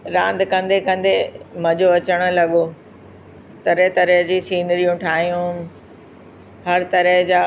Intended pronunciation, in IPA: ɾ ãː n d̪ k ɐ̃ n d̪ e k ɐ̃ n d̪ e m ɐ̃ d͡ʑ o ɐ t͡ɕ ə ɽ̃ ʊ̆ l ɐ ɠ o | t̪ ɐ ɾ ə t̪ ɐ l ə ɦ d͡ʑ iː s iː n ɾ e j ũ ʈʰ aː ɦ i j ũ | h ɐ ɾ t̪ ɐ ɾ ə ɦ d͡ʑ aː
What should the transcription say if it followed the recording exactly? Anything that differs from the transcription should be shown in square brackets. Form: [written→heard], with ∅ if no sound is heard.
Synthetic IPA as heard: ɾ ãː n d̪ k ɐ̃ n d̪ e k ɐ̃ n d̪ e m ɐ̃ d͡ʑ o ɐ t͡ɕ ə ɽ̃ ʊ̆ l ɐ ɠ o | t̪ ɐ ɾ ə t̪ ɐ [l→ɾ] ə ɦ d͡ʑ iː s iː n ɾ [e→i] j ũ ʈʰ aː ɦ i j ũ | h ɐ ɾ t̪ ɐ ɾ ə ɦ d͡ʑ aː